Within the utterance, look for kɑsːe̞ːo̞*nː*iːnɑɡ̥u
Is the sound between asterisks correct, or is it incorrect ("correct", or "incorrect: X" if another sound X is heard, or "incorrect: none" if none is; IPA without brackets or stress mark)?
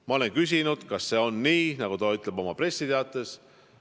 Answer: correct